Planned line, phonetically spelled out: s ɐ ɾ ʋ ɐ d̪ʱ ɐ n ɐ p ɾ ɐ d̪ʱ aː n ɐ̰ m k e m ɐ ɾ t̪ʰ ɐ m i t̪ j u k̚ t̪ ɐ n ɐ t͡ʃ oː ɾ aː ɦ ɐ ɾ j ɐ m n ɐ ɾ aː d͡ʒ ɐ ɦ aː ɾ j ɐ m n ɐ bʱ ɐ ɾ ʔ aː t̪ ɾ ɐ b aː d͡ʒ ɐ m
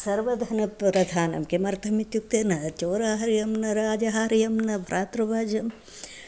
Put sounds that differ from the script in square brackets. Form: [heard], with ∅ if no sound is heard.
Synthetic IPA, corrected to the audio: s ɐ ɾ ʋ ɐ d̪ʱ ɐ n ɐ p ɾ ɐ d̪ʱ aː n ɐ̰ m k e m ɐ ɾ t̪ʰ ɐ m i t̪ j u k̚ t̪ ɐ n ɐ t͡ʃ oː ɾ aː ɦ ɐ ɾ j ɐ m n ɐ ɾ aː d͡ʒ ɐ ɦ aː ɾ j ɐ m n ɐ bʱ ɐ ɾ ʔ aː t̪ ɾ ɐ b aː d͡ʒ ɐ m